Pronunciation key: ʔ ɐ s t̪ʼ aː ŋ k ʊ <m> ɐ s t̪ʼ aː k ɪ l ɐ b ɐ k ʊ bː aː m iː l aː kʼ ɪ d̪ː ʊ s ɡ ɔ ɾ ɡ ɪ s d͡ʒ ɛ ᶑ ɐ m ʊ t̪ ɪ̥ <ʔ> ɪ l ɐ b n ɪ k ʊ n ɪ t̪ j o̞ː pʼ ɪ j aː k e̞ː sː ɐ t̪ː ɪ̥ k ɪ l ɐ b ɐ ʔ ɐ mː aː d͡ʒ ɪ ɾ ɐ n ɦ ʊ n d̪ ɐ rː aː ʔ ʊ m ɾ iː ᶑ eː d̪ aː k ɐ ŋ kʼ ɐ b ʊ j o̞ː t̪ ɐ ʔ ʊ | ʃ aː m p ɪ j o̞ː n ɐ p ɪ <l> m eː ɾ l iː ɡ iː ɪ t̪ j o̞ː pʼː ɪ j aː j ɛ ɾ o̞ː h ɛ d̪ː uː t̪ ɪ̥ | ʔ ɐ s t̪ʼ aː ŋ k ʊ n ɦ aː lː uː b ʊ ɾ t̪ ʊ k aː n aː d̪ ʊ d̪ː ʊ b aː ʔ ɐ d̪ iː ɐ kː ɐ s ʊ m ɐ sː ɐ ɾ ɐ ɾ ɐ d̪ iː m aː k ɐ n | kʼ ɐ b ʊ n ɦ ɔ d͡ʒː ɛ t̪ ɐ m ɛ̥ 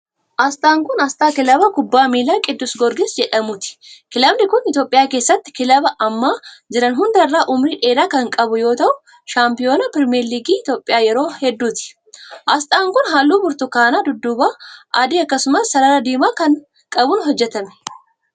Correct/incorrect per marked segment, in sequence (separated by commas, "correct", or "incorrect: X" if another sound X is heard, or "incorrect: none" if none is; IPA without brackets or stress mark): incorrect: n, incorrect: k, incorrect: ɾ